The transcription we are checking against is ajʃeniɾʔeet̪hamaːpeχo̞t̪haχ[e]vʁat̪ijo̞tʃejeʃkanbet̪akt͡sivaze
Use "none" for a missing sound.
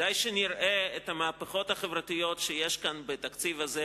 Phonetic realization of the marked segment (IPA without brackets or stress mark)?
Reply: e